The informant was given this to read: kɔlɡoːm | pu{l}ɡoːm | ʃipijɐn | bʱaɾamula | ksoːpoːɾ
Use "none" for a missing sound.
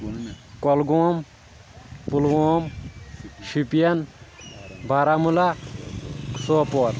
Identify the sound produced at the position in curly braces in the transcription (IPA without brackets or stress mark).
l